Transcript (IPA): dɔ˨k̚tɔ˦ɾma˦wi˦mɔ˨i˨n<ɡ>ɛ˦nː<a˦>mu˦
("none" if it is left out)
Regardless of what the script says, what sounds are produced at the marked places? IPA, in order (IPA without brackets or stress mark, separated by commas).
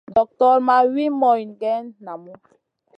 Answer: ɡ, a˨